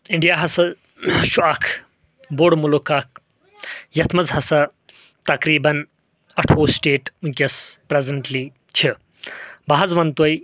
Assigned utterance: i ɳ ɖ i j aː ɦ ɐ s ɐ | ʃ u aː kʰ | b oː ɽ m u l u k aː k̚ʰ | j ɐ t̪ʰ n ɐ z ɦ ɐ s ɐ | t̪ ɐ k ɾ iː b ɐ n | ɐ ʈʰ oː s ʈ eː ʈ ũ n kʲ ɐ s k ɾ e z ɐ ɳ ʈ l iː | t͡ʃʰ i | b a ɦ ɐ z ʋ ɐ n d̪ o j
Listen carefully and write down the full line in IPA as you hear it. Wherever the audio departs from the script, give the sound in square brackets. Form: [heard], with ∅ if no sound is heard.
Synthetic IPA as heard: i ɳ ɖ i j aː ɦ ɐ s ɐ | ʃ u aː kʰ | b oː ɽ m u l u k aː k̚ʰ | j ɐ t̪ʰ [m] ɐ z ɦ ɐ s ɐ | t̪ ɐ k ɾ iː b ɐ n | ɐ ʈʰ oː s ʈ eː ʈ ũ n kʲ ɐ s [p] ɾ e z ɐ ɳ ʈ l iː | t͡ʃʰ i | b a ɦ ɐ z ʋ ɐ n [t̪] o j